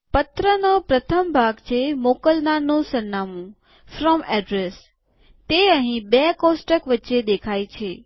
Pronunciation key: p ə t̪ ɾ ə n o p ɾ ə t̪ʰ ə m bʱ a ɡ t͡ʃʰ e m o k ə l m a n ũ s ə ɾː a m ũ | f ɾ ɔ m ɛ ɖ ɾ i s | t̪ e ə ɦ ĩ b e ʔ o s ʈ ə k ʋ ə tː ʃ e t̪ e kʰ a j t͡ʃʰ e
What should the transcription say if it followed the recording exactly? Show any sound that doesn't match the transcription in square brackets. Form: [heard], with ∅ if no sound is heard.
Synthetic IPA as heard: p ə t̪ ɾ ə n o p ɾ ə t̪ʰ ə m bʱ a ɡ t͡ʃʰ e m o k ə l [n] a n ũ s ə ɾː a m ũ | f ɾ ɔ m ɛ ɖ ɾ [e] s | t̪ e ə ɦ ĩ b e [k] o s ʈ ə k ʋ ə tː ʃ e [d̪] e kʰ a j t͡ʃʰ e